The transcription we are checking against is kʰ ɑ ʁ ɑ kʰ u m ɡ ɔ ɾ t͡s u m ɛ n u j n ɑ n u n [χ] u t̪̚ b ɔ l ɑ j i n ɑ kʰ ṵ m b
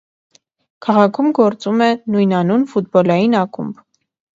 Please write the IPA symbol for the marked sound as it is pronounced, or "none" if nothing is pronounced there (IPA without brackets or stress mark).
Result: f